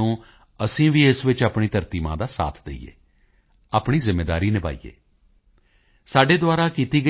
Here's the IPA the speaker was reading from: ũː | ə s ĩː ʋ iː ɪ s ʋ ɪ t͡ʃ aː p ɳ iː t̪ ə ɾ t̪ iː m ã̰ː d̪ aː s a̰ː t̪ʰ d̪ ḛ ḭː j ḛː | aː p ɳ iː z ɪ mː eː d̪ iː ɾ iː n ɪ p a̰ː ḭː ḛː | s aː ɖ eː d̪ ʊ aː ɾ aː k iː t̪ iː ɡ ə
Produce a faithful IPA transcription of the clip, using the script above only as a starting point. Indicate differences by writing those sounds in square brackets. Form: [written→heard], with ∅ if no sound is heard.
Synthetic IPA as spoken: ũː | ə s ĩː ʋ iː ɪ s ʋ ɪ t͡ʃ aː p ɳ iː t̪ ə ɾ t̪ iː m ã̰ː d̪ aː s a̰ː t̪ʰ d̪ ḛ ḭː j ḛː | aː p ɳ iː z ɪ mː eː d̪ [iː→aː] ɾ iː n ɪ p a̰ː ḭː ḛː | s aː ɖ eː d̪ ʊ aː ɾ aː k iː t̪ iː ɡ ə

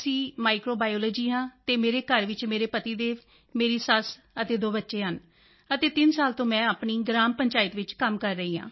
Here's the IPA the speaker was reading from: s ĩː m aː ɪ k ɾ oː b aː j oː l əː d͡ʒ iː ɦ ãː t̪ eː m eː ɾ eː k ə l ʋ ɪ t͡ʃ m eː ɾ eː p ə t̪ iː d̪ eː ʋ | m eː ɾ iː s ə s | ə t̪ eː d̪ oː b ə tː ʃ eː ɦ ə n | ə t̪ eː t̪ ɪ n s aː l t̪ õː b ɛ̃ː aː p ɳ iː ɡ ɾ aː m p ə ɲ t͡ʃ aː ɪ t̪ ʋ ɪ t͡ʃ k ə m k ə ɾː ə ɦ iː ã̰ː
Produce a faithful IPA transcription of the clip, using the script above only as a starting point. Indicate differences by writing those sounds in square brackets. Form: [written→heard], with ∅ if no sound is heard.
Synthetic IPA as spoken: s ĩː m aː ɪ k ɾ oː b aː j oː l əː d͡ʒ iː ɦ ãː t̪ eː m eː ɾ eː k ə [l→ɾ] ʋ ɪ t͡ʃ m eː ɾ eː p ə t̪ iː d̪ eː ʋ | m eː ɾ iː s ə s | ə t̪ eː d̪ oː b ə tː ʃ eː ɦ ə n | ə t̪ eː t̪ ɪ n s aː l t̪ õː [b→m] ɛ̃ː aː p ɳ iː ɡ ɾ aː m p ə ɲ t͡ʃ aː ɪ t̪ ʋ ɪ t͡ʃ k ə m k ə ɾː ə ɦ iː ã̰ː

